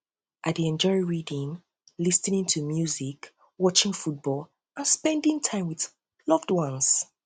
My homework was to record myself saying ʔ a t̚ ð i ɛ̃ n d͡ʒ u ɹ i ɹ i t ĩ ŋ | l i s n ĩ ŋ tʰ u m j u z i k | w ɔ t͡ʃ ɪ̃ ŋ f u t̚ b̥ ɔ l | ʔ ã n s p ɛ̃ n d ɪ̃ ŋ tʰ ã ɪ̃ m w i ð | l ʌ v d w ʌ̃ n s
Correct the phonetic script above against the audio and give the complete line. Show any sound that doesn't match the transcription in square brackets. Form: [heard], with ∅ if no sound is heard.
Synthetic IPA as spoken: ʔ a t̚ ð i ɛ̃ n d͡ʒ [ɔ] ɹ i ɹ i [d] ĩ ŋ | l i s n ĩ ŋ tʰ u m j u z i k | w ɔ t͡ʃ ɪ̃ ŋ f u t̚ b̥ ɔ l | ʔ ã n s p ɛ̃ n d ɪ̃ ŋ tʰ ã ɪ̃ m w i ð | l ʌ v d w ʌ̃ n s